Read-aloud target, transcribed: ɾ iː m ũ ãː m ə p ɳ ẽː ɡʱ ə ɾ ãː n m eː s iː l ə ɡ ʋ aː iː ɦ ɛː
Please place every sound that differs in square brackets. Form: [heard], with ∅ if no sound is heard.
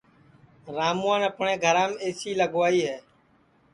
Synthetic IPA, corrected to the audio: ɾ [aː] m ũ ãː [n] ə p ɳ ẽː ɡʱ ə ɾ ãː [∅] m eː s iː l ə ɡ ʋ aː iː ɦ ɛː